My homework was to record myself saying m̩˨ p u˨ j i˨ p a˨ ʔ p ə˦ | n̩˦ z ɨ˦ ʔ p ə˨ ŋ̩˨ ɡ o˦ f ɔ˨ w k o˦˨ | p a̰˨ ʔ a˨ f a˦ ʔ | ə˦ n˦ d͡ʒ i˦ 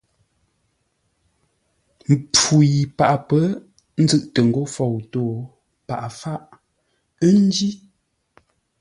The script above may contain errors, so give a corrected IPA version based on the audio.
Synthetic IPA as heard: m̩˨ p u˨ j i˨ p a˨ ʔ p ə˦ | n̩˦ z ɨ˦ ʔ t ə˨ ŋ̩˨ ɡ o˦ f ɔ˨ w t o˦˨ | p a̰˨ ʔ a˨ f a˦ ʔ | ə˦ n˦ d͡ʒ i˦